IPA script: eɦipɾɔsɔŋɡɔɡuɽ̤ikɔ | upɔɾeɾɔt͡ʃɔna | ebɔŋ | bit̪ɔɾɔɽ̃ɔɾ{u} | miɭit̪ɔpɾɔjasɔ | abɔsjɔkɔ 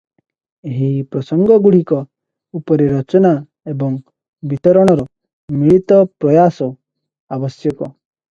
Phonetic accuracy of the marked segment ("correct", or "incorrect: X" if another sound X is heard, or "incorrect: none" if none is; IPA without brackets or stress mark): incorrect: ɔ